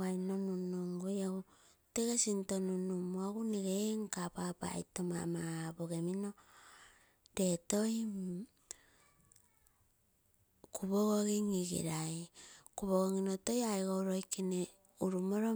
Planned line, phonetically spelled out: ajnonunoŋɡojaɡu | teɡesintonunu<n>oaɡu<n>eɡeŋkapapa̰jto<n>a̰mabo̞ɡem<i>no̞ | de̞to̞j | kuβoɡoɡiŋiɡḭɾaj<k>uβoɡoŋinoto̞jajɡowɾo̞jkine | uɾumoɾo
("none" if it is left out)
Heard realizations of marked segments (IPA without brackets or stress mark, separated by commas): m, n, m, i, k